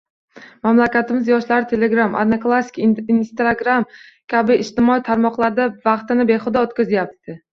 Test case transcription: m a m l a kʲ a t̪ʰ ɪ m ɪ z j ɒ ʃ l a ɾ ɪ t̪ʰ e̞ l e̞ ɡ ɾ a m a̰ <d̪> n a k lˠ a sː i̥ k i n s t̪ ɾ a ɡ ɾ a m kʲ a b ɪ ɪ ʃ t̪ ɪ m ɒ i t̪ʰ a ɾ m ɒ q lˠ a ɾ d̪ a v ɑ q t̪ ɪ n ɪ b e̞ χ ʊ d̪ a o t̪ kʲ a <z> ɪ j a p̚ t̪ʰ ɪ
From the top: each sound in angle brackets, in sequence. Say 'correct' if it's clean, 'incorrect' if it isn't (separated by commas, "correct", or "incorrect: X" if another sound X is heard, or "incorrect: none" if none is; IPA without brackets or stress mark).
correct, correct